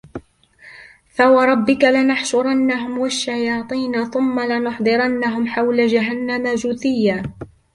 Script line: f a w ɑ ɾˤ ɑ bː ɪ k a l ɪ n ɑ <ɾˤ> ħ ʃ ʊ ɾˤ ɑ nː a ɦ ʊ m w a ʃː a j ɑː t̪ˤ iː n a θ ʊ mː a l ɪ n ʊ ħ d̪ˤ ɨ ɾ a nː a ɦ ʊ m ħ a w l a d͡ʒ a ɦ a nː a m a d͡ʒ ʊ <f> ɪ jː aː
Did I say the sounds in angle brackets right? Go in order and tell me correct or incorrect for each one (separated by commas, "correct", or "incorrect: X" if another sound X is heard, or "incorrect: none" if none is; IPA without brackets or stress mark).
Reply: incorrect: none, incorrect: θ